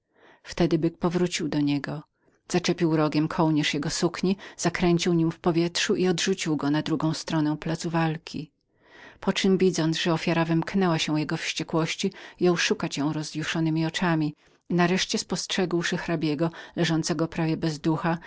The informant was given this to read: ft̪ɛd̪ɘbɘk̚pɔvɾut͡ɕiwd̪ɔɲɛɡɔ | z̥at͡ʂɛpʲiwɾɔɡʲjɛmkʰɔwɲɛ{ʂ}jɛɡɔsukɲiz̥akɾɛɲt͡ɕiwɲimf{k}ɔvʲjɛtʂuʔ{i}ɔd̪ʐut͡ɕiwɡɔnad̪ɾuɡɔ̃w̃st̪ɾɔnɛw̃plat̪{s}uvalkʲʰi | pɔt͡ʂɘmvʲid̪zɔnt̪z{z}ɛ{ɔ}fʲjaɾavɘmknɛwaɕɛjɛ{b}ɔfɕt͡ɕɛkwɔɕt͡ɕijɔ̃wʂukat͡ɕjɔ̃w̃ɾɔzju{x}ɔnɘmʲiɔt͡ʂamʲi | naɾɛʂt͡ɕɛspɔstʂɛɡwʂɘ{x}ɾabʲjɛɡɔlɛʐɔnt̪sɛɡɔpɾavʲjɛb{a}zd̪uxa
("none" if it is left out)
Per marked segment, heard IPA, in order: ʂ, p, i, s, ʐ, ɔ, ɡ, ʂ, x, ɛ

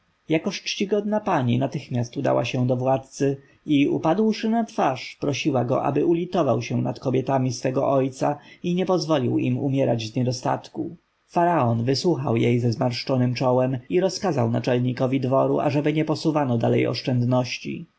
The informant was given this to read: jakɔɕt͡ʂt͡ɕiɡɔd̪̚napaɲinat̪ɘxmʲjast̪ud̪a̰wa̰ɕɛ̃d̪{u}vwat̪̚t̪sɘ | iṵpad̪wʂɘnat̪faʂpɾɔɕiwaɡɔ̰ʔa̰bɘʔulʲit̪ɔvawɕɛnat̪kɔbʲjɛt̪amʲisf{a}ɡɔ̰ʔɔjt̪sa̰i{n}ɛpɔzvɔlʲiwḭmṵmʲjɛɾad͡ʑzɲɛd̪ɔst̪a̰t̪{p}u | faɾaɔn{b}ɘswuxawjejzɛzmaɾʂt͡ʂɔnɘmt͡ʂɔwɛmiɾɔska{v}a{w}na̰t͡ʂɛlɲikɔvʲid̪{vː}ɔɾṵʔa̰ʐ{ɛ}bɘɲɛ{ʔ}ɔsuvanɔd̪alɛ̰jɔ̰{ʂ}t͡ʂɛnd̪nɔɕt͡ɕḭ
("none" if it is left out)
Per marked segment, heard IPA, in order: ɔ, ɛ, ɲ, k, v, z, w, v, ɛ, p, ʂ

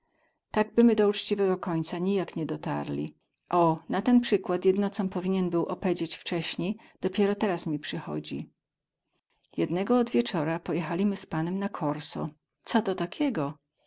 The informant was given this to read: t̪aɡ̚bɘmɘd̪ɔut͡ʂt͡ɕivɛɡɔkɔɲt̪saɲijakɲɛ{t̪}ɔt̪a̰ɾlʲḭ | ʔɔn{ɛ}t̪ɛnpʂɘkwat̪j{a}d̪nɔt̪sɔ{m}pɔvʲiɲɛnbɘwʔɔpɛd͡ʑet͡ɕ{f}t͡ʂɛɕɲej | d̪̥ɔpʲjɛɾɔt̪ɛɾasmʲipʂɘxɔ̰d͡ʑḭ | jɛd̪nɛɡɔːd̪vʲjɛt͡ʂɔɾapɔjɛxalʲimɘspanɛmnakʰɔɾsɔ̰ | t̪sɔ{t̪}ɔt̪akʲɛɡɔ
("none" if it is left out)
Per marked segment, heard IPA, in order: d̪, a, ɛ, m, f, t̪

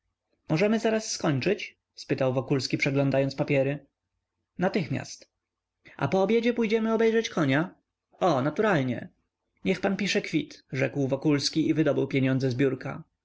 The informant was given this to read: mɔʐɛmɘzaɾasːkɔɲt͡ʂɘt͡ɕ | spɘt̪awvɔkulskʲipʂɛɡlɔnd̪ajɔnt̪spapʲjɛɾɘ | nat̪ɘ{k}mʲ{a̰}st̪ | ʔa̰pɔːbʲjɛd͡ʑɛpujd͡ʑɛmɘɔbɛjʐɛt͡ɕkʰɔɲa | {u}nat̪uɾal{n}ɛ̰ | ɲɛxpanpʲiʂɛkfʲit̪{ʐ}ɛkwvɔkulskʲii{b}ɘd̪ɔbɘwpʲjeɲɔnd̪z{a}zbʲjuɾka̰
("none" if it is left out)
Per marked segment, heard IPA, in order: x, a̰, ɔ, ɲ, ʐ, v, ɛ

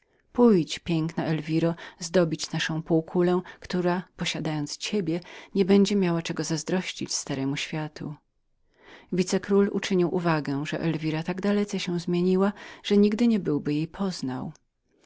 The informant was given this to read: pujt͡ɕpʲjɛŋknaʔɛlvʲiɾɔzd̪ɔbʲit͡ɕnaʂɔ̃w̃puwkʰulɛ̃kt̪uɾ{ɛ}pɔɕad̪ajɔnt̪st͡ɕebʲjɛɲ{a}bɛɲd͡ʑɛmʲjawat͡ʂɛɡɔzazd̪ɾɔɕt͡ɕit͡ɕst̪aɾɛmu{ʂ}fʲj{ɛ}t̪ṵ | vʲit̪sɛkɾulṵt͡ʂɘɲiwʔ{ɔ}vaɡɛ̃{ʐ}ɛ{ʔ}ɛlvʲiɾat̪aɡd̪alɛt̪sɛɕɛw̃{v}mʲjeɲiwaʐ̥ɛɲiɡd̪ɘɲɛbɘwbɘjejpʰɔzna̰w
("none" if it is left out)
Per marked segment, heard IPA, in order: a, ɛ, ɕ, a, u, ʐ, ʔ, z

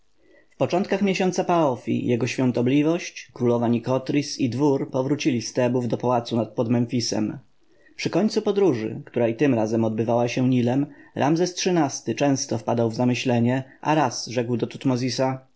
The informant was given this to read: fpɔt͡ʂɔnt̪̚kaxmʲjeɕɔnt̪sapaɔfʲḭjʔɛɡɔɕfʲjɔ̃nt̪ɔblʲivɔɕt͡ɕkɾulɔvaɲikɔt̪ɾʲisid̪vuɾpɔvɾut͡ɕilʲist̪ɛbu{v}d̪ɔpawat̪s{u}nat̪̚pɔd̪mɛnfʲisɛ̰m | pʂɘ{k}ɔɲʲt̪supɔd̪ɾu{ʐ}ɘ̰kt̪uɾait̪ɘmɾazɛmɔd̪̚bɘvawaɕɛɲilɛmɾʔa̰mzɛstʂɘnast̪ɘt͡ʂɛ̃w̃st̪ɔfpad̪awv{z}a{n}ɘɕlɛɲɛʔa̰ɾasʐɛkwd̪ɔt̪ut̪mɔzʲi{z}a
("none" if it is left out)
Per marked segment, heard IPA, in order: v, u, k, ʐ, z, m, s

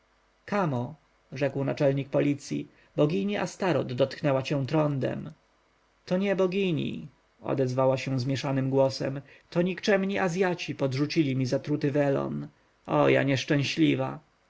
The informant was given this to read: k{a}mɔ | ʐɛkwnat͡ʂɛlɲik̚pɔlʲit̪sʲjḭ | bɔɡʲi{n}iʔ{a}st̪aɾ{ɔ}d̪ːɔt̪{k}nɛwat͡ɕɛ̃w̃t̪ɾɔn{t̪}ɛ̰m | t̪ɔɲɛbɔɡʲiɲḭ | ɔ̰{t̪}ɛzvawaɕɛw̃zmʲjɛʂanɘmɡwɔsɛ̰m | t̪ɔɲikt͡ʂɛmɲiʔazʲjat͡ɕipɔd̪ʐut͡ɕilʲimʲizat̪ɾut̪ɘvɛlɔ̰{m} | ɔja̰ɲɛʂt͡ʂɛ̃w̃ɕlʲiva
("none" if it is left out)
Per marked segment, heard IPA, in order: a, ɲ, a, ɔ, k, d̪, d̪, n

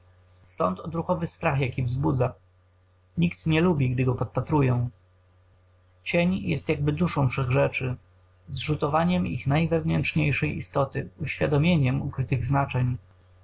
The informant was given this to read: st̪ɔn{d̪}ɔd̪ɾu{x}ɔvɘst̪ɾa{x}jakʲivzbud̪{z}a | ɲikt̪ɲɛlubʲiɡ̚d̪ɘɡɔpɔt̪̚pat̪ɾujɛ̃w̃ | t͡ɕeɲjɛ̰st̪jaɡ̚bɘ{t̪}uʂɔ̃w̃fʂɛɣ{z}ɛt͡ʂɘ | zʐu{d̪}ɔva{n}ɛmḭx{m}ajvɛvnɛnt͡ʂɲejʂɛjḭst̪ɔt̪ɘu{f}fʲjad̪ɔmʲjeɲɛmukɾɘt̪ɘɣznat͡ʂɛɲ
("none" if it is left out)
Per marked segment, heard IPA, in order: t̪, x, x, z, d̪, ʐ, t̪, ɲ, n, ɕ

